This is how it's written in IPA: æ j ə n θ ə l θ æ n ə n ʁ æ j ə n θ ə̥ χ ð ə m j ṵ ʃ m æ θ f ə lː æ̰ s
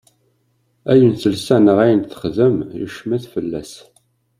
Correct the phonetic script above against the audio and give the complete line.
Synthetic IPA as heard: æ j ə n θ ə l s æ n ə ʁ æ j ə n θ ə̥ χ ð ə m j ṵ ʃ m æ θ f ə lː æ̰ s